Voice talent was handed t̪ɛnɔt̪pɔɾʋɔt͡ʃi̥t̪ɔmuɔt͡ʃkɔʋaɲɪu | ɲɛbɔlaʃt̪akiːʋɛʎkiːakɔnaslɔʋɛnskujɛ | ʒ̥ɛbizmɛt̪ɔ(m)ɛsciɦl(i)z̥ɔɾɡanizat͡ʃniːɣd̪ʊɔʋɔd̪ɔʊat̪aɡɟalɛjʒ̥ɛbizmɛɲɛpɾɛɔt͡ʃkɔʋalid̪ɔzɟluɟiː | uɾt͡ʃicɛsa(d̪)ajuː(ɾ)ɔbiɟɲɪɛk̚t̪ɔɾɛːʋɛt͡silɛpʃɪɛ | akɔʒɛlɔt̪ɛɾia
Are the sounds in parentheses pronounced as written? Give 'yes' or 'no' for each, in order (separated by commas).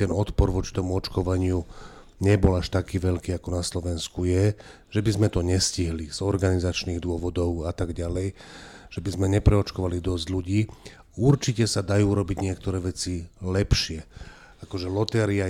no, yes, yes, yes